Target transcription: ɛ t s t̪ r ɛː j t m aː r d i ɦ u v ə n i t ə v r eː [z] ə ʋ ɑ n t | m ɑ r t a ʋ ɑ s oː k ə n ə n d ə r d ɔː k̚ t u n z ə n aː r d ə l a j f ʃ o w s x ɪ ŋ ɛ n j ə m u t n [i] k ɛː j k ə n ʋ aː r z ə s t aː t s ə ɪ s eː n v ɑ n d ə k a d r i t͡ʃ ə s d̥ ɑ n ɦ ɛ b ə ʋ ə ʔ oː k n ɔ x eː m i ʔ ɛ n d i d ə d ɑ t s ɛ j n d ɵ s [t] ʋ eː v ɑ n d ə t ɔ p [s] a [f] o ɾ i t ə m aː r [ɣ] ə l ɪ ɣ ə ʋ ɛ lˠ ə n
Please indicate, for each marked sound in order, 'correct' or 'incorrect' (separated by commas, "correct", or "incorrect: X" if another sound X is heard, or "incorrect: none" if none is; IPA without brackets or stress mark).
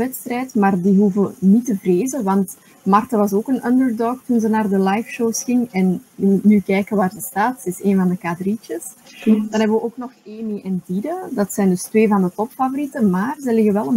correct, incorrect: y, correct, incorrect: f, incorrect: v, incorrect: z